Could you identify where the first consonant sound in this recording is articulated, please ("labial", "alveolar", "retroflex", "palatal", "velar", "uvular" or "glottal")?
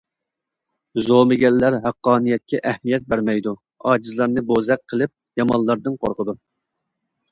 alveolar